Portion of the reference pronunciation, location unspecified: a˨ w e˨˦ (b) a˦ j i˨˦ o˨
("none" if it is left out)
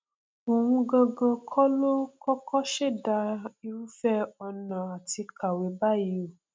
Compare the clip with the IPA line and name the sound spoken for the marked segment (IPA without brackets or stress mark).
b